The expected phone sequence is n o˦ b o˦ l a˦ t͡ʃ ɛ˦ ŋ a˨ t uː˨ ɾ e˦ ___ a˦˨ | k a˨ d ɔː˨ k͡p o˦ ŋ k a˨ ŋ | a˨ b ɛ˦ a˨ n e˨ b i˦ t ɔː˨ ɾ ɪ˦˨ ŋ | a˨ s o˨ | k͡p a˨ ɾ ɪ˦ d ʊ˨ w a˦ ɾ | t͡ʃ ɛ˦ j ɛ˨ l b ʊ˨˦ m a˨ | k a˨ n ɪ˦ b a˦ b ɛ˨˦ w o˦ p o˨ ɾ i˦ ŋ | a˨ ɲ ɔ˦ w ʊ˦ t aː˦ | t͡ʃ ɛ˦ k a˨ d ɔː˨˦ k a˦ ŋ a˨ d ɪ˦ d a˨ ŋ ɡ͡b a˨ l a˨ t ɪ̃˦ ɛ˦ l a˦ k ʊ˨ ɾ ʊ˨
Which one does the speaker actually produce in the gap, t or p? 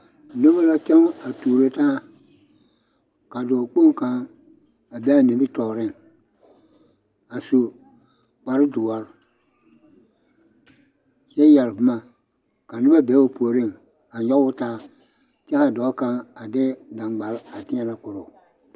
t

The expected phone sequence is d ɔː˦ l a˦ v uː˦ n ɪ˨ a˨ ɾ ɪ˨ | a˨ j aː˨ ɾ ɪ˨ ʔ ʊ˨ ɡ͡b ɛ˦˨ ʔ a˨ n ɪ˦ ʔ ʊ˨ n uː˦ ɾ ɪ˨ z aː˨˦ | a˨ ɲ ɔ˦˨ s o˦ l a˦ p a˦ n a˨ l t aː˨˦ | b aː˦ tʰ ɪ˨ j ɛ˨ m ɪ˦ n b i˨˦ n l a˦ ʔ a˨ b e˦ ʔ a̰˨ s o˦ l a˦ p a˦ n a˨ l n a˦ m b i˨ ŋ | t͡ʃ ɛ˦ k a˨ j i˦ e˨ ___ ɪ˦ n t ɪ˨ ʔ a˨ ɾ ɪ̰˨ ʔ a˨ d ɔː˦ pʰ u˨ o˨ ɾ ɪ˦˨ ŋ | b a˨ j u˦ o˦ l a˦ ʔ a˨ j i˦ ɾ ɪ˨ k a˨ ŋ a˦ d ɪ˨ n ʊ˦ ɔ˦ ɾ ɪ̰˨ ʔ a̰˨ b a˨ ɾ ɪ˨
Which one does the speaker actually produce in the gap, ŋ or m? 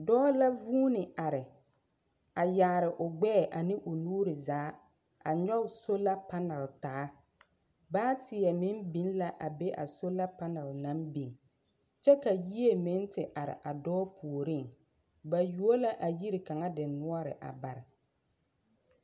m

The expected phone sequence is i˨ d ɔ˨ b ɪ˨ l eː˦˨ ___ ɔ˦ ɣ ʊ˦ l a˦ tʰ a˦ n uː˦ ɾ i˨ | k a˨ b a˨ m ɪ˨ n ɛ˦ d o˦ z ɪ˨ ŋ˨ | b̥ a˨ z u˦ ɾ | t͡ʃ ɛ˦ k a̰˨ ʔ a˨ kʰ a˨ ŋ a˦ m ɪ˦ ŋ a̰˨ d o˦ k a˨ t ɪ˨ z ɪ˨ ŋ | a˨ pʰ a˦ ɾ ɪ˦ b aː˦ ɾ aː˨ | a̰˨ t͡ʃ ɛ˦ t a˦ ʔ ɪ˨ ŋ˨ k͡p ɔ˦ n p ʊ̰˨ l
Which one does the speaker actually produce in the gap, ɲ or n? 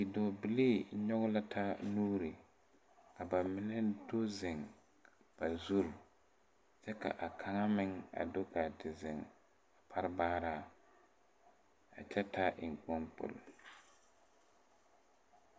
ɲ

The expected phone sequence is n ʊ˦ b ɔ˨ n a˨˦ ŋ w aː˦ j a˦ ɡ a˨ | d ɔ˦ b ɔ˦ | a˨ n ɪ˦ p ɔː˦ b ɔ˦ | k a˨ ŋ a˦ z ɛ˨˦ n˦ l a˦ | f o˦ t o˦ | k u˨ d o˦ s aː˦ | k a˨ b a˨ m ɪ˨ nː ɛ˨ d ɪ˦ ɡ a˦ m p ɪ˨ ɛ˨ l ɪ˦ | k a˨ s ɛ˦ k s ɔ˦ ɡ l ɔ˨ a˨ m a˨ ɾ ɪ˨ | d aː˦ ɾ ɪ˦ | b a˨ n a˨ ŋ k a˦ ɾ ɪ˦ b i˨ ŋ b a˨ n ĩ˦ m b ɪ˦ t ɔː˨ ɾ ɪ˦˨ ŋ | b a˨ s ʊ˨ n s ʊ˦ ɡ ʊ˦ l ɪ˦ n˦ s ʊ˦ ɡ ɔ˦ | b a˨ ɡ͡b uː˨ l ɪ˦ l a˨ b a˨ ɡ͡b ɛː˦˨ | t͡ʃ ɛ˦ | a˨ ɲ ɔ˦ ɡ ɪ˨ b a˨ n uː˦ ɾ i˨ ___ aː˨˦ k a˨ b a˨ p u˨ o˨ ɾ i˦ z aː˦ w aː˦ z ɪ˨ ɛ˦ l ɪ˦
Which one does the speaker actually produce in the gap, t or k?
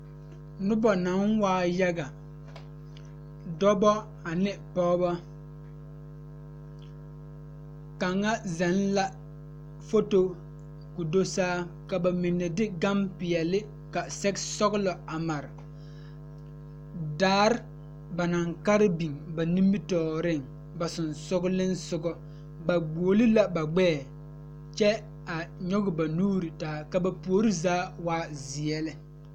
t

